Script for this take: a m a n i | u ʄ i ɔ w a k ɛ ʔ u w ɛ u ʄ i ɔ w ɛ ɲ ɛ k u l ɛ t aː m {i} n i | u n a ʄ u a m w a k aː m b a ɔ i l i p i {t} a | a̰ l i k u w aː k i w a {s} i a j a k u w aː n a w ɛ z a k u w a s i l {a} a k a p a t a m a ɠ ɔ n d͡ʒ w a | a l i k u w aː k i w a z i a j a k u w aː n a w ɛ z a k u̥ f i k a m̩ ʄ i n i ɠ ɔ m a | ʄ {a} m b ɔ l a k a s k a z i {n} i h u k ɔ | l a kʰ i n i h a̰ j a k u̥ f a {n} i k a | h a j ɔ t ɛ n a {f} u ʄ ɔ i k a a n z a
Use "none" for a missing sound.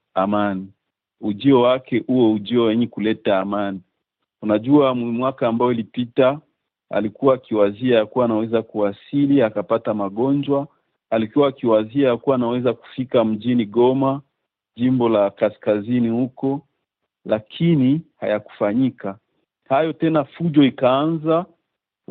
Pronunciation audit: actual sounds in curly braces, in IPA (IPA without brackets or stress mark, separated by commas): a, t, z, i, i, n, ɲ, f